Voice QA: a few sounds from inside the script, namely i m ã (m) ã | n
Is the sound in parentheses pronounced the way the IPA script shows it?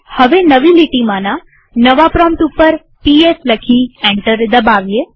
no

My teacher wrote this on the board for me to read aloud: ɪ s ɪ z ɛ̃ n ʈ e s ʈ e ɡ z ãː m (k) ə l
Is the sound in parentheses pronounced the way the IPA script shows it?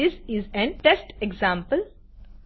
no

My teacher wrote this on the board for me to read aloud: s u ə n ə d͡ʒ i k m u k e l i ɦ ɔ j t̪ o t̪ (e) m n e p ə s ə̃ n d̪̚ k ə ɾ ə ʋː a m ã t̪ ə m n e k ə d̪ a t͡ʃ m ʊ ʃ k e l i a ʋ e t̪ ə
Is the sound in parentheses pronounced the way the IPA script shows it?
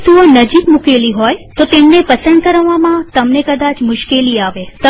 yes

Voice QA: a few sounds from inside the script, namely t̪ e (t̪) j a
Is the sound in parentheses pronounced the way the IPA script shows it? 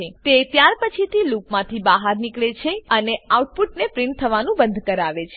yes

